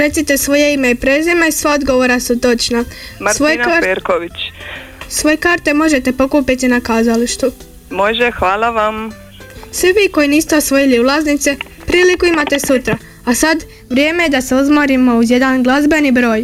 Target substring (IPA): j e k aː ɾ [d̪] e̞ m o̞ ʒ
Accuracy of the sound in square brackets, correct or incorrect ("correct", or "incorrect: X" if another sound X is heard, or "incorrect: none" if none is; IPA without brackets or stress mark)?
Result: incorrect: t̪